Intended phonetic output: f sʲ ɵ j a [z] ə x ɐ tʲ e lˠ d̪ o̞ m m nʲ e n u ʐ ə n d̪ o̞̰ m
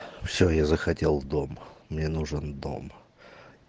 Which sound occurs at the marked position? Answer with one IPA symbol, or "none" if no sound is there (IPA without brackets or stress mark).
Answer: z